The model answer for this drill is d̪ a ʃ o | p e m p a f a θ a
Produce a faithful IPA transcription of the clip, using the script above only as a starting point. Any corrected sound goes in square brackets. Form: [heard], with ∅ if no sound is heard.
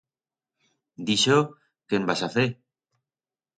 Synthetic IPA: d̪ [i] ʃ o | [k] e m [b] a [s] a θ [e]